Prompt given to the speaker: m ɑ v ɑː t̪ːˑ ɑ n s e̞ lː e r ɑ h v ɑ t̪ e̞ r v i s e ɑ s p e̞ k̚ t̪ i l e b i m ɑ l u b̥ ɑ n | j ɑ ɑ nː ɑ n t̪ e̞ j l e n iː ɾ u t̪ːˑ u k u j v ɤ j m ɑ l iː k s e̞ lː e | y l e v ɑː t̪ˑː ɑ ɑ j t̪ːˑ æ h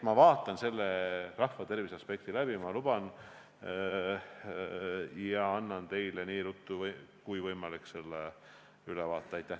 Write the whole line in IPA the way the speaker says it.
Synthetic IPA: m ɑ v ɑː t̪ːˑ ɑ n s e̞ lː e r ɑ h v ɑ t̪ e̞ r v i s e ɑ s p e̞ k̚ t̪ i l æ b i m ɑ l u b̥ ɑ n | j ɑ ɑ nː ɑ n t̪ e̞ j l e n iː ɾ u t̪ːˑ u k u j v ɤ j m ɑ l i k s e̞ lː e | y l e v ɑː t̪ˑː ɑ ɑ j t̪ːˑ æ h